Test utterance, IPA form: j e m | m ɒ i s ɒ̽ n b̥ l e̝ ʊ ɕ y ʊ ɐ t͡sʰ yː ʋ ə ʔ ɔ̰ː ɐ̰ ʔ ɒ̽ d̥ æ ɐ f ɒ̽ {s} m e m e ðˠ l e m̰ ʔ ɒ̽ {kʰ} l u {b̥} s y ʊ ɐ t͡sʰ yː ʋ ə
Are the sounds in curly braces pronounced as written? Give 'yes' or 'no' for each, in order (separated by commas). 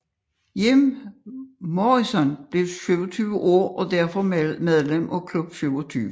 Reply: no, yes, yes